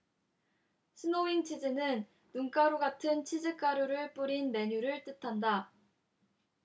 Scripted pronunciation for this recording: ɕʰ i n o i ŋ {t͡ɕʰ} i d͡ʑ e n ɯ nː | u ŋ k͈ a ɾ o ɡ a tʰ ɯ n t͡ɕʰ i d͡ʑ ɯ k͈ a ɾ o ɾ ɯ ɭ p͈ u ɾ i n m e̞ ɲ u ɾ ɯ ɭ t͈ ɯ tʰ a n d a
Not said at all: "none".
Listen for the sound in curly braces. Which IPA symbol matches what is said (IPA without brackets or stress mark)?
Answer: t͡ɕʰ